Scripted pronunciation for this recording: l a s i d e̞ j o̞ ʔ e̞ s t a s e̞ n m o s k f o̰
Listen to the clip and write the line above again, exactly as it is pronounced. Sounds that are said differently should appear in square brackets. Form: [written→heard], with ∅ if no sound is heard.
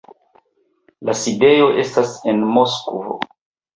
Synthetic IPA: l a s i d e̞ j o̞ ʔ e̞ s t a s e̞ n m o s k [f→v] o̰

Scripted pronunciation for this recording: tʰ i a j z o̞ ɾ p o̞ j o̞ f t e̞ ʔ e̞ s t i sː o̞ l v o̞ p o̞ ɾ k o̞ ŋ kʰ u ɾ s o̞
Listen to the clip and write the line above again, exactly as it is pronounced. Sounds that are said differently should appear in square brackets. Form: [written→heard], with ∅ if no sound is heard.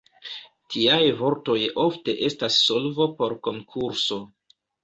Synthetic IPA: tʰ i a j [z→v] o̞ ɾ [p→t] o̞ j o̞ f t e̞ ʔ e̞ s t [i→a] sː o̞ l v o̞ p o̞ ɾ k o̞ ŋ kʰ u ɾ s o̞

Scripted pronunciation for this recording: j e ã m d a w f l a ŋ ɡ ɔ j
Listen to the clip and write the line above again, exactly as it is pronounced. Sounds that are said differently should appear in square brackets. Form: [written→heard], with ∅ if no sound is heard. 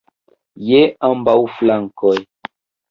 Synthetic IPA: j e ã m [d→b] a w f l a ŋ [ɡ→k] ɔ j

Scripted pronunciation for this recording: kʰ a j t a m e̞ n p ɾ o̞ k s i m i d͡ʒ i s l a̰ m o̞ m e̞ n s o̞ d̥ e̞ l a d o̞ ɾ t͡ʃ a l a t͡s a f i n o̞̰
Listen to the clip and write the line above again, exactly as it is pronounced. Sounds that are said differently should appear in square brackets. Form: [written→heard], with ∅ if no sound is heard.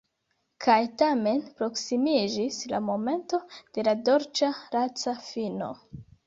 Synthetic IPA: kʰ a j t a m e̞ n p ɾ o̞ k s i m i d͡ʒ i s l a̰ m o̞ m e̞ n [s→t] o̞ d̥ e̞ l a d o̞ ɾ t͡ʃ a [l→ɾ] a t͡s a f i n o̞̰

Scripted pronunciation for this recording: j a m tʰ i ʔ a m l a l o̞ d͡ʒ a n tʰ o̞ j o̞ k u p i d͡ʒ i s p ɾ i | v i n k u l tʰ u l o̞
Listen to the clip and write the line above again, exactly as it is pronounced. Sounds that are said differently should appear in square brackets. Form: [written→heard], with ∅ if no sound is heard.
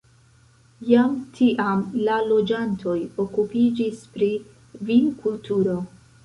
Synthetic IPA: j a m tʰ i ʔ a m l a l o̞ d͡ʒ a n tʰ o̞ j o̞ k u p i d͡ʒ i s p ɾ i | v i n k u l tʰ u [l→ɾ] o̞

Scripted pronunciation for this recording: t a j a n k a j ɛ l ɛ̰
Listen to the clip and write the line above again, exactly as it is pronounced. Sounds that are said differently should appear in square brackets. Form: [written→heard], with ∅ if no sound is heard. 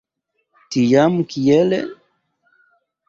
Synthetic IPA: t [a→i] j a [n→m] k [a→i] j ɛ l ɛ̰

